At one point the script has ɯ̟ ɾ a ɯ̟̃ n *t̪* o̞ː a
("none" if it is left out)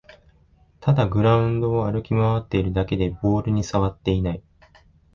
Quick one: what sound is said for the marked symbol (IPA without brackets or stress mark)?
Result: d̪